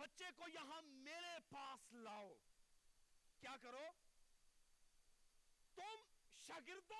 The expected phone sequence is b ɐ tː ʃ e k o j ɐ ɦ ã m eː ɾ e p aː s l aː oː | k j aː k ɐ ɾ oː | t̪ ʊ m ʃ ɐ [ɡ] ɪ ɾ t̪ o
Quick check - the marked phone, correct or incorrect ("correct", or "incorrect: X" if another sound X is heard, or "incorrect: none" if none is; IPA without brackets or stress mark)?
correct